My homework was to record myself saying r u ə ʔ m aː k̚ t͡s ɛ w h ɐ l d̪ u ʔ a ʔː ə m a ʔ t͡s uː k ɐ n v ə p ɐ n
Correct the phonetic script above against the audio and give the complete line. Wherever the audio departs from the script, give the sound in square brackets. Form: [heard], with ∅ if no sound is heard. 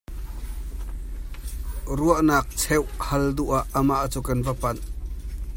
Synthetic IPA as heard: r u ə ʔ [n] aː k̚ [t͡sʰ] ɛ w h ɐ l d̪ u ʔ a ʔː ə m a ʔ t͡s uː k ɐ n v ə p ɐ n